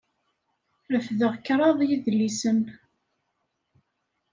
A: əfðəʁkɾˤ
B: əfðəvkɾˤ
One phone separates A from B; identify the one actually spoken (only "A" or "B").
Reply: A